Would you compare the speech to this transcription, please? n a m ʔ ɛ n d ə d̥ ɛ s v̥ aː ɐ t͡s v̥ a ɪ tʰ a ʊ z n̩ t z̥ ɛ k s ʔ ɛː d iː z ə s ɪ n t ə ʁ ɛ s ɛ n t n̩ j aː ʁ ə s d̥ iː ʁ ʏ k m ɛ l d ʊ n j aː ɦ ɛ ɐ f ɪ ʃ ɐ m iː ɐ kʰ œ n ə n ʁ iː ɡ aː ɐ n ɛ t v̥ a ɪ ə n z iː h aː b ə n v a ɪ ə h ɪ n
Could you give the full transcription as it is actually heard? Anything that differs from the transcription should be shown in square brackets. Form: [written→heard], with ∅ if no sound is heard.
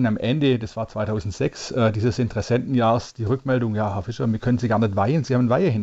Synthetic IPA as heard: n a m ʔ ɛ n d ə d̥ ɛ s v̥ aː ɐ t͡s v̥ a ɪ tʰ a ʊ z n̩ t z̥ ɛ k s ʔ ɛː d iː z ə s ɪ n t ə ʁ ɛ s ɛ n t n̩ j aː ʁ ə s d̥ iː ʁ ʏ k m ɛ l d ʊ [n→ŋ] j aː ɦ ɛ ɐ f ɪ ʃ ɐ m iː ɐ kʰ œ n ə n [ʁ→z] iː ɡ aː ɐ n ɛ t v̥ a ɪ ə n z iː h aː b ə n v a ɪ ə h ɪ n